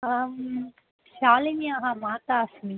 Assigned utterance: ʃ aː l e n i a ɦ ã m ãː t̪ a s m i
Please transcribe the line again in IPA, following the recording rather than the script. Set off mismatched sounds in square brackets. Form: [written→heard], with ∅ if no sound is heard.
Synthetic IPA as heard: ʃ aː l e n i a ɦ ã m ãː t̪ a s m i